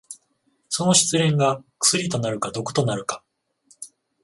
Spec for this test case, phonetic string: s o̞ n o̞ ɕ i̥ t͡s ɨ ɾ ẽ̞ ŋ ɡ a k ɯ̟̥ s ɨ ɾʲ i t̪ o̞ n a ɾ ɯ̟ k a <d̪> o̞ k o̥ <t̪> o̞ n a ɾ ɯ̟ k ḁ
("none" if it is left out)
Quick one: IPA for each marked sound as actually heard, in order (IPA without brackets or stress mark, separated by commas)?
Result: d̪, t̪